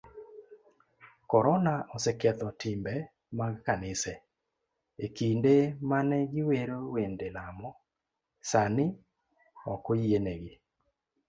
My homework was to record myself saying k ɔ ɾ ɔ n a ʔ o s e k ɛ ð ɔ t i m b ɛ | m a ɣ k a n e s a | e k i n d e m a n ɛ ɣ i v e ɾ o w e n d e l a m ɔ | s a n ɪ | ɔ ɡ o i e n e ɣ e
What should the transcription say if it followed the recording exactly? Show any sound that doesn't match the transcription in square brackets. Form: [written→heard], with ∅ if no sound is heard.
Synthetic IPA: k ɔ ɾ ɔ n a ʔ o s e k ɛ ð ɔ t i m b ɛ | m a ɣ k a n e s [a→ɛ] | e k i n d e m a n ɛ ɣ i [v→w] e ɾ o w e n d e l a m ɔ | s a n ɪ | ɔ [ɡ→k] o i e n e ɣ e